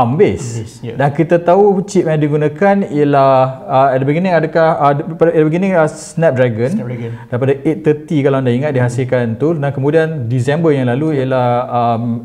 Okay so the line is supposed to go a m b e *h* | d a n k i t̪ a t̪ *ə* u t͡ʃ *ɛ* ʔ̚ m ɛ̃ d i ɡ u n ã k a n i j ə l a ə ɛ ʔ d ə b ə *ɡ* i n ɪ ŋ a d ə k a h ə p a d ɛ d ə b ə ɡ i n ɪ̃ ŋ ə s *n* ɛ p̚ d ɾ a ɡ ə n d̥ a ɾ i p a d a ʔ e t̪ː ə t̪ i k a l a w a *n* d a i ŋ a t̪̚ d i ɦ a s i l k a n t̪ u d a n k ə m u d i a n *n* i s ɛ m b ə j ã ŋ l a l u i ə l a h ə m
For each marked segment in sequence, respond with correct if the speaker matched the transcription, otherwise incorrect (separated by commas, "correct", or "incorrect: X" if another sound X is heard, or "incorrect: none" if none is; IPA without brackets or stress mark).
incorrect: s, incorrect: a, incorrect: i, correct, correct, correct, incorrect: d